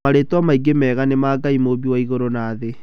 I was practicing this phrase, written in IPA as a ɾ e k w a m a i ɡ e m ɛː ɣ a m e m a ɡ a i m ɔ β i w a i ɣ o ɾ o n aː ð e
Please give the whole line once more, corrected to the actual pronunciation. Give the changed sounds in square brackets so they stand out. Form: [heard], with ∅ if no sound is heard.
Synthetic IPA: a ɾ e [t] w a m a i ɡ e m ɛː ɣ a [n] e m a ɡ a i m [o] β i w a i ɣ o ɾ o n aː ð e

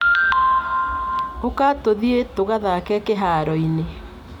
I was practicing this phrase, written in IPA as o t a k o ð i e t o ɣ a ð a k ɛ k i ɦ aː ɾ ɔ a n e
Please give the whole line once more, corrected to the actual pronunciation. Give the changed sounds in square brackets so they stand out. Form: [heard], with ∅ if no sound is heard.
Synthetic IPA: o [k] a [t] o ð i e t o ɣ a ð a k ɛ k [e] ɦ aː ɾ ɔ [i] n e

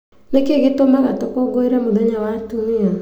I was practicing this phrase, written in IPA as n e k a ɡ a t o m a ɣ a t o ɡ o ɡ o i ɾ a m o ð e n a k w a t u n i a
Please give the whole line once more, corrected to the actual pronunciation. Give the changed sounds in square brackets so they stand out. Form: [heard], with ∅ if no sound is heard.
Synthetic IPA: n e k [e] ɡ [e] t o m a ɣ a t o [k] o ɡ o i ɾ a m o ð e [ɲ] a [∅] w a t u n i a

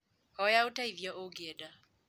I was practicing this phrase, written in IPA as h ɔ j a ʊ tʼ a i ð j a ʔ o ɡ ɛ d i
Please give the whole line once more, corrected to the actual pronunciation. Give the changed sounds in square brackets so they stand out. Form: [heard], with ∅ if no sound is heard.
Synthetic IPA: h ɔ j a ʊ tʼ a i [v] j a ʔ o ɡ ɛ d [a]

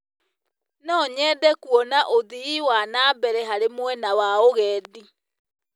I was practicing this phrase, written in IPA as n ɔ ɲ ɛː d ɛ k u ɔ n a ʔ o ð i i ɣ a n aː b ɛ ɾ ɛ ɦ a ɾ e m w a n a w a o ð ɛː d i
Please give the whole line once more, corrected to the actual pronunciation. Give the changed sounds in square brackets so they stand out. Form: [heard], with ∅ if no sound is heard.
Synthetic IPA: n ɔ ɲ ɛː d ɛ k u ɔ n a ʔ o ð i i [w] a n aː b ɛ ɾ ɛ ɦ a ɾ e m w [ɛ] n a w a o [ɣ] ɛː d i

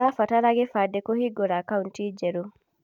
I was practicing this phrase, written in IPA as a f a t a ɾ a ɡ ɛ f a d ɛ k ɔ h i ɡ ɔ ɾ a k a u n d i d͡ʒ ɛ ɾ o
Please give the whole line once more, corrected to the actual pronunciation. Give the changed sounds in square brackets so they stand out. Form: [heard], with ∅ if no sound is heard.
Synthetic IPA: a f a t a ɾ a ɡ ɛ f a d ɛ k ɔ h i ɡ ɔ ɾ a k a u n [t] i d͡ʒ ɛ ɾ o

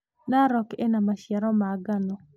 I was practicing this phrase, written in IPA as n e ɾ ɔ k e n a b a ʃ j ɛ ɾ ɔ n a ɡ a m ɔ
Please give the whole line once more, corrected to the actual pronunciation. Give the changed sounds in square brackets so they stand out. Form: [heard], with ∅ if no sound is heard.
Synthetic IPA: n [a] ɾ ɔ k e n a [m] a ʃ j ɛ ɾ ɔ [m] a ɡ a [n] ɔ

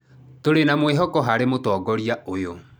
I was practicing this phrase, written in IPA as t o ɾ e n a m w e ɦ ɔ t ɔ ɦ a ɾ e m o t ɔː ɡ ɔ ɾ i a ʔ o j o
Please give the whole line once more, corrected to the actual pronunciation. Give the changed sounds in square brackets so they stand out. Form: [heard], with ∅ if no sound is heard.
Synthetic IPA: t o ɾ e n a m w e ɦ ɔ [k] ɔ ɦ a ɾ e m o t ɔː ɡ ɔ ɾ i a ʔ o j o

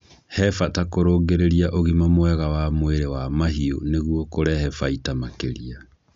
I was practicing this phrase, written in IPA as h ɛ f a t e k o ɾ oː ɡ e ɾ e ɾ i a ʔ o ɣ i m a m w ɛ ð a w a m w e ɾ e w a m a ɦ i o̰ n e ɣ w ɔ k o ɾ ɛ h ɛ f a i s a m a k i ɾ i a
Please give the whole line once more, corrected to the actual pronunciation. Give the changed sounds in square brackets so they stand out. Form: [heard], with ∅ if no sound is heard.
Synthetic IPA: h ɛ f a t [a] k o ɾ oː ɡ e ɾ e ɾ i a ʔ o ɣ i m a m w ɛ [ɣ] a w a m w e ɾ e w a m a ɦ i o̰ n e ɣ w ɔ k o ɾ ɛ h ɛ f a i [t] a m a k [e] ɾ i a

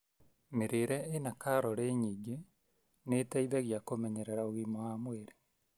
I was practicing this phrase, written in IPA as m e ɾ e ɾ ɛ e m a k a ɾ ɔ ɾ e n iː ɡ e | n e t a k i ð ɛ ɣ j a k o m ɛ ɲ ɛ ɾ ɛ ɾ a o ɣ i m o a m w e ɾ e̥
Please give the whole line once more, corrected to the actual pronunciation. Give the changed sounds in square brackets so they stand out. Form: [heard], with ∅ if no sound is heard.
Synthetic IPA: m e ɾ e ɾ ɛ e [n] a k a ɾ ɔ ɾ e [ɲ] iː ɡ e | n e t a [∅] i ð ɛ ɣ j a k o m ɛ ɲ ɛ ɾ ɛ ɾ a o ɣ i m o a m w e ɾ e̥

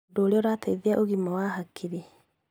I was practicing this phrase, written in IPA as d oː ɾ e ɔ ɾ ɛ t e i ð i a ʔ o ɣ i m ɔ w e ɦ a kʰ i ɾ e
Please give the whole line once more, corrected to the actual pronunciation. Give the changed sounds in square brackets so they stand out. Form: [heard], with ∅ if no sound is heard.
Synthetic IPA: d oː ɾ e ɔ ɾ [a] t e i ð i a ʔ o ɣ i m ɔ w [a] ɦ a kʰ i ɾ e

